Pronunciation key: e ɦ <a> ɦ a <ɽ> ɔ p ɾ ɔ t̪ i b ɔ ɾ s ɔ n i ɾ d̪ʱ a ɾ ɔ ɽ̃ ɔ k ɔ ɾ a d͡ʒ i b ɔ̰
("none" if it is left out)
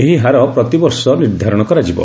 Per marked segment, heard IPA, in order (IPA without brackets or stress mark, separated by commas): i, ɾ